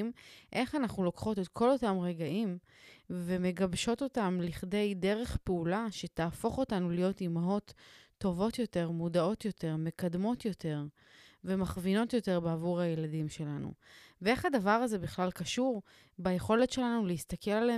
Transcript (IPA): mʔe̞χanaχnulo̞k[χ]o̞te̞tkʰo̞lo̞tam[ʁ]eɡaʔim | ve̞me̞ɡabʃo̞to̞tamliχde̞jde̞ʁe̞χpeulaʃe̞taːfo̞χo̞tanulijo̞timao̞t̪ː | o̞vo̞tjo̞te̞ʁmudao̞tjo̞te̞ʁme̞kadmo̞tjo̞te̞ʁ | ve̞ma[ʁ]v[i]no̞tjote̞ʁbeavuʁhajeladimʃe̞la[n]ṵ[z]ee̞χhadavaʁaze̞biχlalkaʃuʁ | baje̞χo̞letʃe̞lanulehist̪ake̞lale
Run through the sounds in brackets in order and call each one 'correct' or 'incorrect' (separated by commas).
correct, correct, incorrect, correct, correct, incorrect